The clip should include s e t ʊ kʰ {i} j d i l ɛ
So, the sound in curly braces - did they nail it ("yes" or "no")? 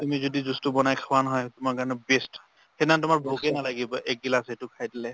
no